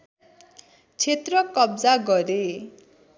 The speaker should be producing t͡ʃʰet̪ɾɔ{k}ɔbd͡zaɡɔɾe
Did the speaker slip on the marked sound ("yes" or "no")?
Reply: no